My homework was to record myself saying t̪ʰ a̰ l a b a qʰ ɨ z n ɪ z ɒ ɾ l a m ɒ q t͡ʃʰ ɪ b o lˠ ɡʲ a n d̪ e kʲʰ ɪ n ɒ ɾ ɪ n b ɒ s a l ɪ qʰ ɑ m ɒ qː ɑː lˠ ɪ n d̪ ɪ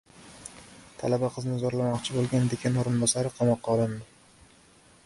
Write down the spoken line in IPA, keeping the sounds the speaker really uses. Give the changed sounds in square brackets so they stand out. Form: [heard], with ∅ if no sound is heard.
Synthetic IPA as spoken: t̪ʰ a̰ l a b a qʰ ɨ z n ɪ z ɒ ɾ l a m ɒ q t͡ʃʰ ɪ b o lˠ ɡʲ a n d̪ e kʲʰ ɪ n [o] ɾ ɪ n b ɒ s a [ɾ] ɪ qʰ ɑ m ɒ qː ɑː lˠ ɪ n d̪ ɪ